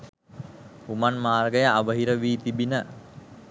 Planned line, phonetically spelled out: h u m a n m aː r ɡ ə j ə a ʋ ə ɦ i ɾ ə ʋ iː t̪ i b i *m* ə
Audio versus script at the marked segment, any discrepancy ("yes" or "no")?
yes